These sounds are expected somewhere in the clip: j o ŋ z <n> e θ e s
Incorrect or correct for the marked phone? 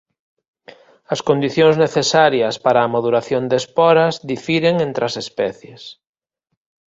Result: correct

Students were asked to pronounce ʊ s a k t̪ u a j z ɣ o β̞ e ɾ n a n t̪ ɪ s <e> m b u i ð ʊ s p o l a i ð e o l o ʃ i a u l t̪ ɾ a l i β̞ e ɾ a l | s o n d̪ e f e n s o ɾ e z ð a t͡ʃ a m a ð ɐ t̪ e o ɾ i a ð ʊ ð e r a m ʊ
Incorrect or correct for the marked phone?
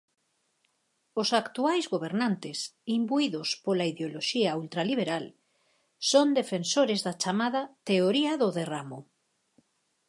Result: incorrect: i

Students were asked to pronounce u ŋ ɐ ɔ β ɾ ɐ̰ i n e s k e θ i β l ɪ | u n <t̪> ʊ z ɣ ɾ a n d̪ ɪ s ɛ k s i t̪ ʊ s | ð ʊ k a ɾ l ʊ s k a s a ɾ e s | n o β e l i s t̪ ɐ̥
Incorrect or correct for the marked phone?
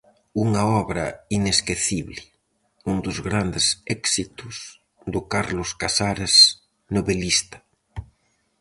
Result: incorrect: d̪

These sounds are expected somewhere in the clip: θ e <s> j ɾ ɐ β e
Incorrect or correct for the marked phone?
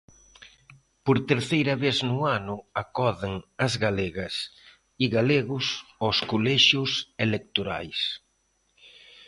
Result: incorrect: none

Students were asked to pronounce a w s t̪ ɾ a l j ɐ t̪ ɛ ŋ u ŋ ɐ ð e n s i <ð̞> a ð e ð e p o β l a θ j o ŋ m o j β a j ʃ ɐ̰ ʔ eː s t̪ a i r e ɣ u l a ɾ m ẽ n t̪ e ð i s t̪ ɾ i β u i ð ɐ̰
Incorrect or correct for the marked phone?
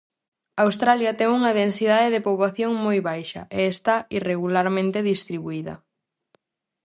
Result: correct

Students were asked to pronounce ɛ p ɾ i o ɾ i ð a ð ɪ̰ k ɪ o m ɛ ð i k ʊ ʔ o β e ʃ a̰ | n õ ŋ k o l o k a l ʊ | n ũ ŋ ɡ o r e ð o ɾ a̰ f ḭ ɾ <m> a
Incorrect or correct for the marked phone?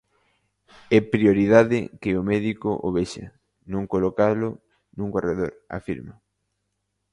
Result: correct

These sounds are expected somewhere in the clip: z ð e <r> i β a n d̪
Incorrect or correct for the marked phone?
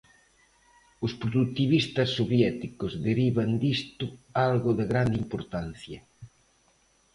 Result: incorrect: ɾ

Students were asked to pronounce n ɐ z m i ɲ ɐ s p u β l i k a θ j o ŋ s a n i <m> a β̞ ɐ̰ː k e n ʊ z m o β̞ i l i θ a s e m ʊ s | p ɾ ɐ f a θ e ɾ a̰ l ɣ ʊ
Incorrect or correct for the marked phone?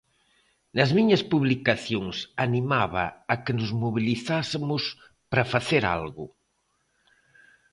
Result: correct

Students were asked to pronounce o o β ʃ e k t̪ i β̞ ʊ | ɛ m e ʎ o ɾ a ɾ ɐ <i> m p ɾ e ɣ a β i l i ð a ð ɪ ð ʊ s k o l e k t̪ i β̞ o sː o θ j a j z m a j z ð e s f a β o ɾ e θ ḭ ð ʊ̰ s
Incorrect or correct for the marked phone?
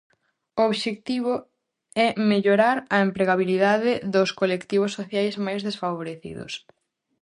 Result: incorrect: e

